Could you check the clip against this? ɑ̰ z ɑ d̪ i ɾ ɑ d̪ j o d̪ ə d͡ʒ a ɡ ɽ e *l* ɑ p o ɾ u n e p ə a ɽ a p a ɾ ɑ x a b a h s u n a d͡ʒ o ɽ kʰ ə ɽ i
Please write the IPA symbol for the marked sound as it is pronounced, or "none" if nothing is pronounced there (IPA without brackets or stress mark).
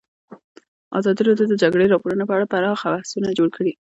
ɾ